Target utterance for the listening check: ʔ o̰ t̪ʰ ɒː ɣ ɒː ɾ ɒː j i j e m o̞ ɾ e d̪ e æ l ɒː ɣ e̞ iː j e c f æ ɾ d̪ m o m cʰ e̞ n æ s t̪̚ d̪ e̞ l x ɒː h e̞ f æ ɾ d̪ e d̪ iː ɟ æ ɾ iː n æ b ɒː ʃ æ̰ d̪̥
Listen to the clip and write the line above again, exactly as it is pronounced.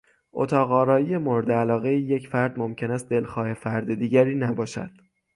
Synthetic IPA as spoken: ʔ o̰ t̪ʰ ɒː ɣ ɒː ɾ ɒː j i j e m o̞ ɾ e d̪ e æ l ɒː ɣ e̞ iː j e c f æ ɾ d̪ m o m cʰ e̞ n æ s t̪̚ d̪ e̞ l x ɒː h e̞ f æ ɾ d̪ e d̪ iː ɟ æ ɾ iː n æ b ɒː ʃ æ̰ d̪̥